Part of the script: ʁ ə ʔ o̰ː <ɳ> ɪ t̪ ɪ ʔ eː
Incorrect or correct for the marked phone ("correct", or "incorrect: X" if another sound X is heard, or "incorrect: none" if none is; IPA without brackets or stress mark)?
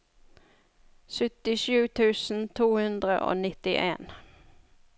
incorrect: n